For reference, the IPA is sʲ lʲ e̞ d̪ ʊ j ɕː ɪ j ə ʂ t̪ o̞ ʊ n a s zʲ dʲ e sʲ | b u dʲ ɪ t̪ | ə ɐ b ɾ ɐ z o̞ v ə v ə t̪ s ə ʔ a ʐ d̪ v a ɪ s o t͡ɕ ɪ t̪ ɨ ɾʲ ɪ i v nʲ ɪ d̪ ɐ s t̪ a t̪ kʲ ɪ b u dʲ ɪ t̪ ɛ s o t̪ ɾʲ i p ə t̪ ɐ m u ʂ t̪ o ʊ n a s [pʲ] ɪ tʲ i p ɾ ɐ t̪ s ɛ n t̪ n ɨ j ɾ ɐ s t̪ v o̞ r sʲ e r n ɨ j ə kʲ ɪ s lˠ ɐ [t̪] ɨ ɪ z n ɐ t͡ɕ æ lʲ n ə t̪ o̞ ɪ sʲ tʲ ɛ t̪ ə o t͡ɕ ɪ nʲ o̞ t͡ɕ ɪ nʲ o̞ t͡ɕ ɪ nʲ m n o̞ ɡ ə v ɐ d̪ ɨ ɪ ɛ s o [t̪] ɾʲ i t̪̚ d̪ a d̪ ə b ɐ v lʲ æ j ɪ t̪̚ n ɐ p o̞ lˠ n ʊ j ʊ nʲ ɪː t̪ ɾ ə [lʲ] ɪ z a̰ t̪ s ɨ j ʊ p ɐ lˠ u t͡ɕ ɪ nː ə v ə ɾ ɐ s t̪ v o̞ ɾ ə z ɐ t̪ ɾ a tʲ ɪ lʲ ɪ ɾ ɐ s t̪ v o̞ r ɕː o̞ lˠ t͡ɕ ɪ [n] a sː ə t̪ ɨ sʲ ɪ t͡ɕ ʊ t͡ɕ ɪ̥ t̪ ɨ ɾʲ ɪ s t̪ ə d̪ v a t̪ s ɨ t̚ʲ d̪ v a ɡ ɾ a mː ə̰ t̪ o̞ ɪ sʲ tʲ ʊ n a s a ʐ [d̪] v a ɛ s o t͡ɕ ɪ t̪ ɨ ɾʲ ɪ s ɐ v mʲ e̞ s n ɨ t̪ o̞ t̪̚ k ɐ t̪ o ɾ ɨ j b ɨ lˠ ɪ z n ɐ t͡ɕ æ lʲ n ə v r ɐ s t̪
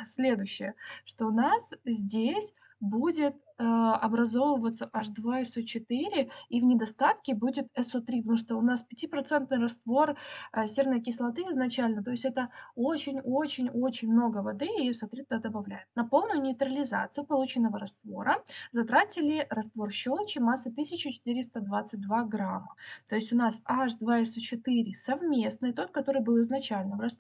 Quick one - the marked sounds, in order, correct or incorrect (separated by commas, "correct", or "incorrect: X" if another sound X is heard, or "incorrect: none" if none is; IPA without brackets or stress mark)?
correct, correct, correct, correct, incorrect: m, correct